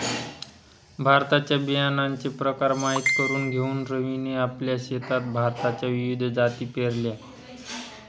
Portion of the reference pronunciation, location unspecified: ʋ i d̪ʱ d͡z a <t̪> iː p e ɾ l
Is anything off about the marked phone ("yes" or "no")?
no